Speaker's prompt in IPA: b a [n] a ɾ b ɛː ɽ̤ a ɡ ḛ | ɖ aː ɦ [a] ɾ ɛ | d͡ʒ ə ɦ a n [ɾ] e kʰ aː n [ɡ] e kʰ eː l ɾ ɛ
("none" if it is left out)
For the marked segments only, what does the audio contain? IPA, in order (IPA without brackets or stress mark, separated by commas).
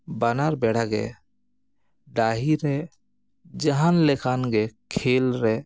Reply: n, i, l, ɡ